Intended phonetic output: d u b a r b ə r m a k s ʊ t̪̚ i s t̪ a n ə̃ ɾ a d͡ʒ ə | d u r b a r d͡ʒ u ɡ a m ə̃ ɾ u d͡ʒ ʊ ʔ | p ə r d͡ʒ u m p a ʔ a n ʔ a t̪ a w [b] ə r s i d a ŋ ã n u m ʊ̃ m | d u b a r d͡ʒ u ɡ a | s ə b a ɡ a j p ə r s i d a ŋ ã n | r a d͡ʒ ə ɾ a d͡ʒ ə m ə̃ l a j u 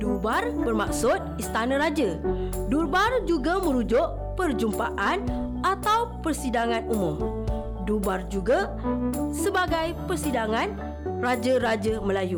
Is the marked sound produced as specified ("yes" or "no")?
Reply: no